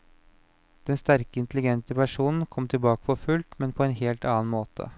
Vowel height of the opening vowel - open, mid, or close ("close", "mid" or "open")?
mid